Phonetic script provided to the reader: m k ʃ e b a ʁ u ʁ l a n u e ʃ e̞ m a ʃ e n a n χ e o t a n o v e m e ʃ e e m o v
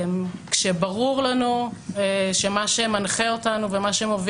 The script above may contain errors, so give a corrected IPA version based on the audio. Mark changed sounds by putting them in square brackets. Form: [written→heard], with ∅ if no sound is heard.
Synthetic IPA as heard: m k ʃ e b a ʁ u ʁ l a n u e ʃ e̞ m a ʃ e [n→m] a n χ e o t a n [o→u] v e m [e→a] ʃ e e m o v